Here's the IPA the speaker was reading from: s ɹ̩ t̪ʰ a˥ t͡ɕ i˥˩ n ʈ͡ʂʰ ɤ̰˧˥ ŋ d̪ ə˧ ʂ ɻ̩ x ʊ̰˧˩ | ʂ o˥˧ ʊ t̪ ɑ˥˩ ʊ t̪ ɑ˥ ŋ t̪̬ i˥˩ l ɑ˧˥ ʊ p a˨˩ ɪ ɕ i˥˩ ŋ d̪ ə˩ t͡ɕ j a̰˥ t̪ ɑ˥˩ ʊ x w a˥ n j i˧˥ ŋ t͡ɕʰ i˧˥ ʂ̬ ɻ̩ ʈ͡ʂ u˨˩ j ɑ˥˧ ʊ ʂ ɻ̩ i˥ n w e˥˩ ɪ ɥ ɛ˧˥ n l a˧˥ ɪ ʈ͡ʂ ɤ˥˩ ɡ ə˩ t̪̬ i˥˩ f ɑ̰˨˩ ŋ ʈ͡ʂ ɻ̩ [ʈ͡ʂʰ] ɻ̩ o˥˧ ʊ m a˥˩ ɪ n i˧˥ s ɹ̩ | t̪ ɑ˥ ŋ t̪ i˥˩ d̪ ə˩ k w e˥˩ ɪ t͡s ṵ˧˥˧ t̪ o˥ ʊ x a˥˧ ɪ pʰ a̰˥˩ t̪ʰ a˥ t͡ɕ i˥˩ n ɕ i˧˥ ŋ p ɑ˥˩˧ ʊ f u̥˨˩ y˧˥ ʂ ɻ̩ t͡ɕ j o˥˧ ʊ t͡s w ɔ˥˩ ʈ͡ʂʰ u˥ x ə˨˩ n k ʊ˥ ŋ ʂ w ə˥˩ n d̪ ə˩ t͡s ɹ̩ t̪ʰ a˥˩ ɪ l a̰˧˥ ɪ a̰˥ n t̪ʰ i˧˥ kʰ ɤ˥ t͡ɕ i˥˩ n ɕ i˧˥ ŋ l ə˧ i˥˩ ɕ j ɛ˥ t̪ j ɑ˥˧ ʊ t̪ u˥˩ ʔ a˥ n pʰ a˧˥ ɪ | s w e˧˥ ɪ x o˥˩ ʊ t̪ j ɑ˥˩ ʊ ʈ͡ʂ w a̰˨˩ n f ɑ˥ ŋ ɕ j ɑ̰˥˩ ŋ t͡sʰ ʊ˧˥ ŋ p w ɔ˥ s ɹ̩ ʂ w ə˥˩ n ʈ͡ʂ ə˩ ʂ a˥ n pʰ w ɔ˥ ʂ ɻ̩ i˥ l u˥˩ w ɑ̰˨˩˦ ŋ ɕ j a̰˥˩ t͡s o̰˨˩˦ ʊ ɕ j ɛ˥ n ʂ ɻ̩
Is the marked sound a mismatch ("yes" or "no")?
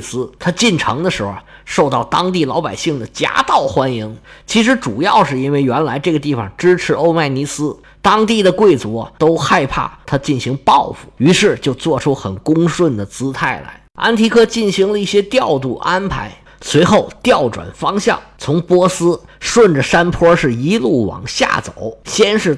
no